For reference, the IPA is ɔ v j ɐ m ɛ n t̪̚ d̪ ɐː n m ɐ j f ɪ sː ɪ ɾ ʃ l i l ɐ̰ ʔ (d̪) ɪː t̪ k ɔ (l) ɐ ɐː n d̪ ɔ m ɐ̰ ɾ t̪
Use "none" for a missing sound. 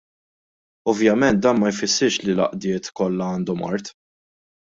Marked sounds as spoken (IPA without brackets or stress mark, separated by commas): d̪, lː